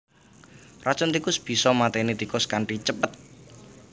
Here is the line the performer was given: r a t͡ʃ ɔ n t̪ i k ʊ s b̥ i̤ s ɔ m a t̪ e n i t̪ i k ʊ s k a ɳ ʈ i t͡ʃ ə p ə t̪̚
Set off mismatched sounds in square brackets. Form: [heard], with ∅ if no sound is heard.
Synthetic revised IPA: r a t͡ʃ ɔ n t̪ i k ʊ s b̥ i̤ s ɔ m a t̪ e n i t̪ i k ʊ s k a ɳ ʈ i t͡ʃ ə p ə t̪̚

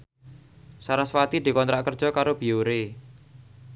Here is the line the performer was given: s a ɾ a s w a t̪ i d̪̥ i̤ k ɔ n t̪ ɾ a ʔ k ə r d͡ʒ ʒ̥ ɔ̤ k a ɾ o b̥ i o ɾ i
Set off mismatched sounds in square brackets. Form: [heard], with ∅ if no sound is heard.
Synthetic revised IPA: s a ɾ a s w a t̪ i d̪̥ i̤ k ɔ n t̪ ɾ a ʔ k ə r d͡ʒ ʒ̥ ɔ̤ k a ɾ o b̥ i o ɾ [e]

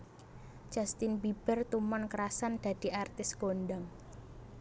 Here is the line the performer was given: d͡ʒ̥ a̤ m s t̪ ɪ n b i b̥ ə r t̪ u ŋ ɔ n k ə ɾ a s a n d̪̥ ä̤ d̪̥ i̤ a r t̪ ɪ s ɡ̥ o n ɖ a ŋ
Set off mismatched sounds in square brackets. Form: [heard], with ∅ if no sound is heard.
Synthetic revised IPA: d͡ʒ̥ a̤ [∅] s t̪ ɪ n b i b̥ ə r t̪ u [m] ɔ n k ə ɾ a s a n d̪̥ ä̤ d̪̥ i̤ a r t̪ ɪ s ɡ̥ o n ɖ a ŋ

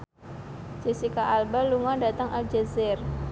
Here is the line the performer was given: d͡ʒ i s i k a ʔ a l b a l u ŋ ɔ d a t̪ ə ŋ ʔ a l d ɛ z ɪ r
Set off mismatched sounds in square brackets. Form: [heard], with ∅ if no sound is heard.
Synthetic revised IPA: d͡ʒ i s i k a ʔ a l b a l u ŋ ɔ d a t̪ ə ŋ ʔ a l [d͡ʒ] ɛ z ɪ r

